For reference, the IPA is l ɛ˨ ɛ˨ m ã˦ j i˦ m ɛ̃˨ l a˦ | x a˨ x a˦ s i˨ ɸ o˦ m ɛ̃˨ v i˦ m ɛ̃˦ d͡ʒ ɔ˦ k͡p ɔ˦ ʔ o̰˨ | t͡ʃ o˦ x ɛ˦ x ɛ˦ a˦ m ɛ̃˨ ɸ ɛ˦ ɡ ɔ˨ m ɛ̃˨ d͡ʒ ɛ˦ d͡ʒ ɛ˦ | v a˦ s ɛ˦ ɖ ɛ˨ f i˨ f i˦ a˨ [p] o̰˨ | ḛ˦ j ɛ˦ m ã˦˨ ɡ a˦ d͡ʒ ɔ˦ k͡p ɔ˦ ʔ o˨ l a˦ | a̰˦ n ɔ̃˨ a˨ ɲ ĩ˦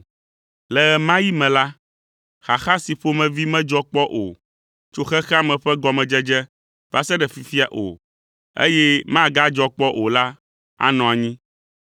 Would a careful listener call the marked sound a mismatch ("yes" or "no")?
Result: yes